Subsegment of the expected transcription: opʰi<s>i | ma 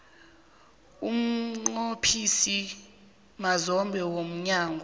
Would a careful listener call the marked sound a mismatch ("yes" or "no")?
no